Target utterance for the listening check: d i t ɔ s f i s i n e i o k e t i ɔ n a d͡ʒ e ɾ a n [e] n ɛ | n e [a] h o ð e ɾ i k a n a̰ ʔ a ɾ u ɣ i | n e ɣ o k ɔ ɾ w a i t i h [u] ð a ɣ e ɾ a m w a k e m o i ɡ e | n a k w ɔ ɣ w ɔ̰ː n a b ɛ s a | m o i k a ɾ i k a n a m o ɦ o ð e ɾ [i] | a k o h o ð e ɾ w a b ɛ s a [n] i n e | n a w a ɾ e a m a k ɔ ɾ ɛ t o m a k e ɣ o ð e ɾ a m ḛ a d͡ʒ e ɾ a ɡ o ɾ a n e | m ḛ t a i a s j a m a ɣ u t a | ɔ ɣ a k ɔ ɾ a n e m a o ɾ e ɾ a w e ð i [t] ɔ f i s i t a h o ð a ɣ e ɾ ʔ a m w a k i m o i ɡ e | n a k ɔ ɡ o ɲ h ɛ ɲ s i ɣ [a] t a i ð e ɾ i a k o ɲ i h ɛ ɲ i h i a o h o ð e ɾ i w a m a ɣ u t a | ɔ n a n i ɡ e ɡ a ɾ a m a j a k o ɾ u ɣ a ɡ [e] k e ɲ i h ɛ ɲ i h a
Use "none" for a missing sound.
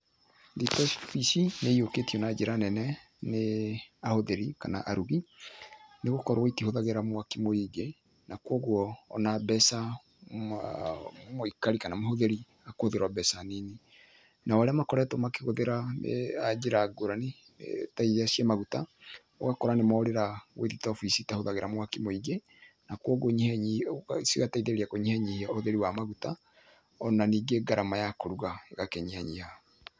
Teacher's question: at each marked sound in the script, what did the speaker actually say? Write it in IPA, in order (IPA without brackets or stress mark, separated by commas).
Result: ɛ, a, o, i, n, t, a, a